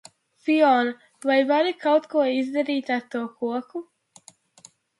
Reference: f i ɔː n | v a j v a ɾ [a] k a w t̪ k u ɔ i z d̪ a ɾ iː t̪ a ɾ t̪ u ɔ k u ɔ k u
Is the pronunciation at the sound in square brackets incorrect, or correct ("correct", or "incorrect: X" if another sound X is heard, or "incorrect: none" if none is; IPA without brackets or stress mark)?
incorrect: i